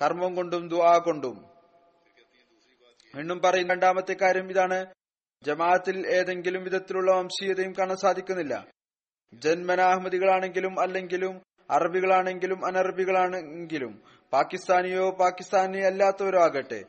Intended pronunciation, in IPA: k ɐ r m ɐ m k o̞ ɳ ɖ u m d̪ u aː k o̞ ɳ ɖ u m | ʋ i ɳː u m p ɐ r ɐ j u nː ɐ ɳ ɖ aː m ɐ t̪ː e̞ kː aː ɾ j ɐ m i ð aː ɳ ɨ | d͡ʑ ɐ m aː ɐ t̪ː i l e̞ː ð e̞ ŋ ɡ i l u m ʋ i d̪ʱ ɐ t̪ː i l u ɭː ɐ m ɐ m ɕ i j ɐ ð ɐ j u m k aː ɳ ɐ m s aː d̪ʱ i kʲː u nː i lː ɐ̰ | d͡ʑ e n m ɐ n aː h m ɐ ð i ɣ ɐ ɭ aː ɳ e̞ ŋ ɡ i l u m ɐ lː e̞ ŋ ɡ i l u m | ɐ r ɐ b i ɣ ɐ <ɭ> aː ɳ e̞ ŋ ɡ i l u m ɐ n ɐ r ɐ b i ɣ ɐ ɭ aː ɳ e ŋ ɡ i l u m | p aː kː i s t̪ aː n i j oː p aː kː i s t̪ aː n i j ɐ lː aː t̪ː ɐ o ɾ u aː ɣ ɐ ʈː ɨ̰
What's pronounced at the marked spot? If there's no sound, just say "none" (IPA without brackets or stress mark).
ɭ